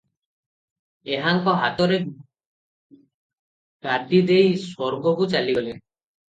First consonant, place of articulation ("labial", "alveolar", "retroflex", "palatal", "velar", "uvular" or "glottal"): glottal